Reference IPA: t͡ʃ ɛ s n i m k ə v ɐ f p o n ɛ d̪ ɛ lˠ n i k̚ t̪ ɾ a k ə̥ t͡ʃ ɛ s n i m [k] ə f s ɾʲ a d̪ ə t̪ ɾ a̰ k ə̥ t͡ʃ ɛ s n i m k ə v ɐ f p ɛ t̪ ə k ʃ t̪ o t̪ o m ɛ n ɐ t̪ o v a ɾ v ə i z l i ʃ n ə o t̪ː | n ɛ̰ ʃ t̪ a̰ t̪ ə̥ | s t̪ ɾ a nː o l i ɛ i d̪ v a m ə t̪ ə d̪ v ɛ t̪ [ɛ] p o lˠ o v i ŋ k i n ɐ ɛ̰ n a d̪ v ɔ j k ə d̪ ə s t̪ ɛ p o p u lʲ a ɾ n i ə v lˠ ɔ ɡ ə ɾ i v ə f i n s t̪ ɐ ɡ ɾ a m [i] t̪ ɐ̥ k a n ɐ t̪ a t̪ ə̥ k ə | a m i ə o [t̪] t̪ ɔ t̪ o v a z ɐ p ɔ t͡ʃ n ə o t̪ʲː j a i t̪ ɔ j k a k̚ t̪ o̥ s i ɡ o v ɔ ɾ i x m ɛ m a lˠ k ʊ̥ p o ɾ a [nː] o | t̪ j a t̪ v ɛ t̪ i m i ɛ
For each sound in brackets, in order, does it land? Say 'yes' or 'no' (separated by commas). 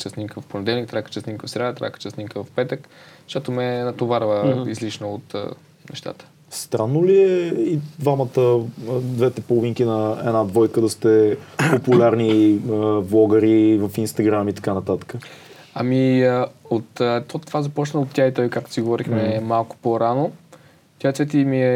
yes, yes, yes, yes, no